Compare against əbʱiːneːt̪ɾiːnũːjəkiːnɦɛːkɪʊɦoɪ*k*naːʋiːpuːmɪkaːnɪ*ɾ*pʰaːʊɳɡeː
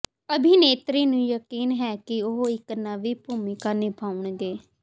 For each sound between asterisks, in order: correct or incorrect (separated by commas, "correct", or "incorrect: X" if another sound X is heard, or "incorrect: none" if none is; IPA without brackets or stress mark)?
correct, incorrect: none